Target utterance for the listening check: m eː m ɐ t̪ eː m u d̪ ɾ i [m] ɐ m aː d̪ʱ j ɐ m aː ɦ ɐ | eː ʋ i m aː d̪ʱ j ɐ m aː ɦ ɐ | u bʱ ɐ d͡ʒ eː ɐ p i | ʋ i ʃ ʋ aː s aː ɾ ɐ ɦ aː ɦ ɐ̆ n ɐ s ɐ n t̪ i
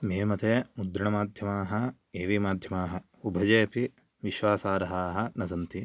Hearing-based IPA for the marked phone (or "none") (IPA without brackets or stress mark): ɳ